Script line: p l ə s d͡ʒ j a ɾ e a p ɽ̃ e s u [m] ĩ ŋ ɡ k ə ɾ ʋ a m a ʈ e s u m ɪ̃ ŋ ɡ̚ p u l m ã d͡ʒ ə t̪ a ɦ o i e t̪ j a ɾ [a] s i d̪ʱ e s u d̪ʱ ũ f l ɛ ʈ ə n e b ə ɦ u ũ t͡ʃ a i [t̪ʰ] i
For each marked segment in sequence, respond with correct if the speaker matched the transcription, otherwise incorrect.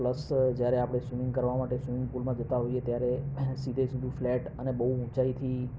correct, incorrect, correct

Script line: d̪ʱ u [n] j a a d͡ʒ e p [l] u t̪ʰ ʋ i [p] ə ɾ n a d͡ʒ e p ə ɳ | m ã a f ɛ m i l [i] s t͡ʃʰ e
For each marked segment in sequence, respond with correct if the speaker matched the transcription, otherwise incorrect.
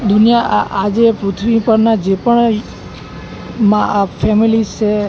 correct, incorrect, correct, correct

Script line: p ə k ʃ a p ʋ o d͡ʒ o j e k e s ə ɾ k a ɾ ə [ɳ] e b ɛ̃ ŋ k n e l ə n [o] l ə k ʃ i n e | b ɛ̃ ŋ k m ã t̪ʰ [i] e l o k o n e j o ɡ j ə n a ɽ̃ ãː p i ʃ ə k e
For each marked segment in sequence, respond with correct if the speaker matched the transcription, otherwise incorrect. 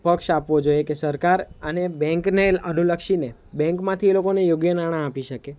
incorrect, incorrect, correct

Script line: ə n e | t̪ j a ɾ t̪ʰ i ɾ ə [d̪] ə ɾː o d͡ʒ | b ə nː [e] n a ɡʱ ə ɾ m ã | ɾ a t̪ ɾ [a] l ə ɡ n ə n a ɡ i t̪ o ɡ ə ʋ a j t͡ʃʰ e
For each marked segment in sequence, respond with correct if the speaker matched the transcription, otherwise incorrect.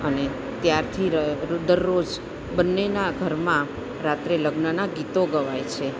correct, correct, incorrect

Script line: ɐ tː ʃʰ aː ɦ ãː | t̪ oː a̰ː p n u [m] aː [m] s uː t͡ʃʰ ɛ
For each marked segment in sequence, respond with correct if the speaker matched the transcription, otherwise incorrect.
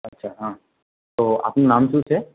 incorrect, correct

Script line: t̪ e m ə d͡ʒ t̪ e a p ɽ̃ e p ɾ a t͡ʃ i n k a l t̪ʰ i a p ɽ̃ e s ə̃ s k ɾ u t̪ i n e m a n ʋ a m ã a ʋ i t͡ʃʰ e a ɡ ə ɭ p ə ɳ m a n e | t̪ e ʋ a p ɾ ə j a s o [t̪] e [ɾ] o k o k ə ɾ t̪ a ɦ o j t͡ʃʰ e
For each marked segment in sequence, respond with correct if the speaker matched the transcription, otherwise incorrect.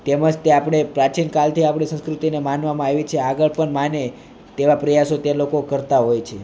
correct, incorrect

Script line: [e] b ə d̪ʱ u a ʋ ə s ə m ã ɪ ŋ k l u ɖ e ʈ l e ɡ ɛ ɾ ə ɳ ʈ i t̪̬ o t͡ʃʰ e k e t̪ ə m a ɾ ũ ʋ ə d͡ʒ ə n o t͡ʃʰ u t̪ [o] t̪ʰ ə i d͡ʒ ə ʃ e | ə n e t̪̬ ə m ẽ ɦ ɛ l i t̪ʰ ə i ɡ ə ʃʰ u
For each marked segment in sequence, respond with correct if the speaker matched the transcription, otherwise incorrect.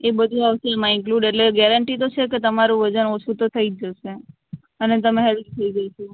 correct, correct

